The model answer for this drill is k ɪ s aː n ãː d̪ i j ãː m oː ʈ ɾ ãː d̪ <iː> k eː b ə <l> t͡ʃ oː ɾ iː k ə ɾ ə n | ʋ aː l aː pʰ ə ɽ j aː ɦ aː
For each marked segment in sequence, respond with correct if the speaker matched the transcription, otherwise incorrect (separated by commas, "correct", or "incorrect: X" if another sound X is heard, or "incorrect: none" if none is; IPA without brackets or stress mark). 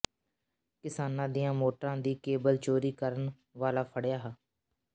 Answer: correct, correct